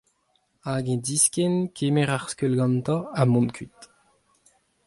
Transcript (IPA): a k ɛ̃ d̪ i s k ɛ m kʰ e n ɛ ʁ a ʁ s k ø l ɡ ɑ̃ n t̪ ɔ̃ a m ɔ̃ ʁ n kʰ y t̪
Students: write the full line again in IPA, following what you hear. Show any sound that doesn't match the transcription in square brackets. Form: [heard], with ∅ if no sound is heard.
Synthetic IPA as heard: a [ɡ] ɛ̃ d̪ i s k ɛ [n] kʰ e [m] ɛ ʁ a ʁ s k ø l ɡ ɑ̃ n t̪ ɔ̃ a m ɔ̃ [∅] n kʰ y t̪